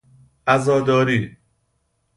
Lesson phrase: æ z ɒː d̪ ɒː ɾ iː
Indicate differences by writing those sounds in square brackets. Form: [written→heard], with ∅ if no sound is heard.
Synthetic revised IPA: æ z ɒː d̪ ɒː ɾ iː